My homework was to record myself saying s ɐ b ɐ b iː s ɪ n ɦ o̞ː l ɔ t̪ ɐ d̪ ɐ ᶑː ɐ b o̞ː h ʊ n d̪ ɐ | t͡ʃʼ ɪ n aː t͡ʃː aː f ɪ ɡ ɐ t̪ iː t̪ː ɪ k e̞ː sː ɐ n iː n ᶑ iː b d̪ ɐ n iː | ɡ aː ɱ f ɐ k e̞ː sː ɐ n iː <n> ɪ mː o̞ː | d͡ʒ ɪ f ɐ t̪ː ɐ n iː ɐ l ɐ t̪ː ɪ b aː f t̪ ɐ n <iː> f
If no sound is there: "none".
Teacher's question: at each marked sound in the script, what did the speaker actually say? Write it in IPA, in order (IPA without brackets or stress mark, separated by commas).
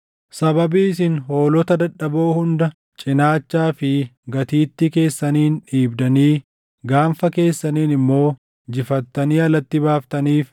n, iː